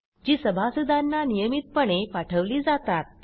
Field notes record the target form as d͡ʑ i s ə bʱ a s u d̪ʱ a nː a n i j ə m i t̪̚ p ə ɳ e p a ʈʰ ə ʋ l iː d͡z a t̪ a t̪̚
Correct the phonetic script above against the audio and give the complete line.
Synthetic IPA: d͡ʑ iː s ə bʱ a s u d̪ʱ a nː a n i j ə m i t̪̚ p ə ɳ e p a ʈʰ ə ʋ l iː d͡z a t̪ a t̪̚

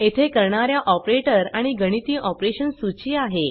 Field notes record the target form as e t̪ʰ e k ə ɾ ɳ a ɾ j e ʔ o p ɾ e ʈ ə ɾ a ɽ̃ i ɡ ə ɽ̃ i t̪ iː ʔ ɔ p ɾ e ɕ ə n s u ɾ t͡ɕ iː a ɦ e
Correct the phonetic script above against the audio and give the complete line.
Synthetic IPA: e t̪ʰ e k ə ɾ ɳ a ɾ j a ʔ ɔ p ɾ e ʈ ə ɾ a ɽ̃ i ɡ ə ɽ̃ i t̪ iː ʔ ɔ p ɾ e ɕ ə n s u t͡ɕ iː a ɦ e

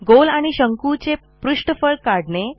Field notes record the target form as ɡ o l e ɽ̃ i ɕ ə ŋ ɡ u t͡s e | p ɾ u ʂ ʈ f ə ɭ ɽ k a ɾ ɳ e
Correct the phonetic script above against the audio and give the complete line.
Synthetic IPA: ɡ o l a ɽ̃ i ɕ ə ŋ k u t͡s e | p ɾ u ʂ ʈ f ə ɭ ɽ k a ɽ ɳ e

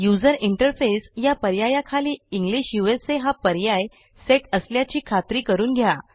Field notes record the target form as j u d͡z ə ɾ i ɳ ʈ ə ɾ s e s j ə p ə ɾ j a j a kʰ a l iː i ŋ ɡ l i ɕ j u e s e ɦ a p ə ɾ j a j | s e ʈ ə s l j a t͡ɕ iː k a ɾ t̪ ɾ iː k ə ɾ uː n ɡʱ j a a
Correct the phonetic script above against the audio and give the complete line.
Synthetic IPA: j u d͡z ə ɾ i ɳ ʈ ə ɾ f e s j a p ə ɾ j a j a kʰ a l iː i ŋ ɡ l i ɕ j u e s e ɦ a p ə ɾ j a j | s e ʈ ə s l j a t͡ɕ iː kʰ a t̪ ɾ iː k ə ɾ uː n ɡʱ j a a

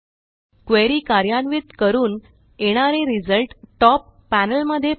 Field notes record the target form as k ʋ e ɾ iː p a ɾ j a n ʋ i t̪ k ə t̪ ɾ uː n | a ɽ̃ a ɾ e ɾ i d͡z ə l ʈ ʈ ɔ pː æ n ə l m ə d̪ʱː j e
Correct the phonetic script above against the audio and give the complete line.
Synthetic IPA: k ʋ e ɾ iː k a ɾ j a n ʋ i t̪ k ə ɾ uː n | e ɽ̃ a ɾ e ɾ i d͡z ə l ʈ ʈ ɔ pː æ n ə l m ə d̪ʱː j e

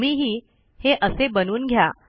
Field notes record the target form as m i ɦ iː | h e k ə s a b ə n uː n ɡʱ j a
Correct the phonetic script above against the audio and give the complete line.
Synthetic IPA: m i ɦ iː | h e ʔ ə s e b ə n uː n ɡʱ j a

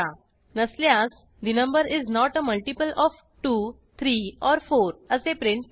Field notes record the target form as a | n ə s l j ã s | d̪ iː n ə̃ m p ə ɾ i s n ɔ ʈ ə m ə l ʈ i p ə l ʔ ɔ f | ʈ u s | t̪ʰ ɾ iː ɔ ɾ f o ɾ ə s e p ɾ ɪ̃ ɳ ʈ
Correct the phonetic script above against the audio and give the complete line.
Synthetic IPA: a | n ə s l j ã s | d̪ i n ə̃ m b ə ɾ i z n ɔ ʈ ə m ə l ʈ i p ə l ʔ ɔ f | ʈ u | t̪ʰ ɾ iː ɔ ɾ f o ɾ ə s e p ɾ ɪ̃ ɳ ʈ

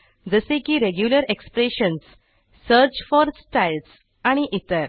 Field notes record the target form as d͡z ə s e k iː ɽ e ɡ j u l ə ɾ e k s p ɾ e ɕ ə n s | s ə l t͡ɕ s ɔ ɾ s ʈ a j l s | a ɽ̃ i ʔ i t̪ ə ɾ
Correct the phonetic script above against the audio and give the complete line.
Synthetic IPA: d͡z ə s e k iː ɾ e ɡ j u l ə ɾ e k s p ɾ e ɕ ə n s | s ə ɾ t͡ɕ f ɔ ɾ s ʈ a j l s | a ɽ̃ i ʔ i t̪ ə ɾ

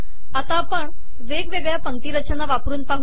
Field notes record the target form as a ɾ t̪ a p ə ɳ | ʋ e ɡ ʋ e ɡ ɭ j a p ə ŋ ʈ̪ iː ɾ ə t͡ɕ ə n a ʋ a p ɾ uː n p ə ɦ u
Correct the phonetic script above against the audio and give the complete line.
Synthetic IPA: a t̪ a p ə ɳ | ʋ e ɡ ʋ e ɡ ɭ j a p ə ŋ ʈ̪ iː ɾ ə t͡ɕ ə n a ʋ a p ɾ uː n p a ɦ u

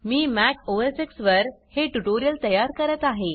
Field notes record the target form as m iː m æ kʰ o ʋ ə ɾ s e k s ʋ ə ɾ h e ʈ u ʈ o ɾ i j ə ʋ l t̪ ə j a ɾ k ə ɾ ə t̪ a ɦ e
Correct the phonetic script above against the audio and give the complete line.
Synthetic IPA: m iː m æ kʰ o ʋ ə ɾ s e k s ʋ ə ɾ h e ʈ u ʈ o ɾ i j ə l t̪ ə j a ɾ k ə ɾ ə t̪ a ɦ e

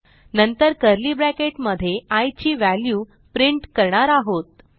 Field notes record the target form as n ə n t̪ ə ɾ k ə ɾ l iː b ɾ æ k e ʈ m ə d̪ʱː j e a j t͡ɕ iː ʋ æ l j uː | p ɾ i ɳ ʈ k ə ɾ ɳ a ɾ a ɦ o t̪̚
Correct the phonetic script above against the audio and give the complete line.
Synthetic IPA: n ə n t̪ ə ɾ k ə ɾ l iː b ɾ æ k e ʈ m ə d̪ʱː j e a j t͡ɕ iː ʋ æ l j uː | p ɾ i ɳ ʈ k ə ɾ ɳ a ɾ a ɦ o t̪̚

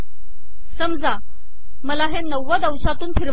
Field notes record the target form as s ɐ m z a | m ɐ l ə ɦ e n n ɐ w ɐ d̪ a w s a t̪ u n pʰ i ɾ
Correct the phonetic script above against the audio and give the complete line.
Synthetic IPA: s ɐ m z a | m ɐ l a ɦ e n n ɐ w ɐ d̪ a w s a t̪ u n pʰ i ɾ

